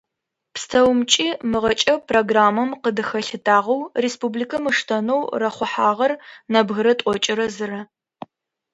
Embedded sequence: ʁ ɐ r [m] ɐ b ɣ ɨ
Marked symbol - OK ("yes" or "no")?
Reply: no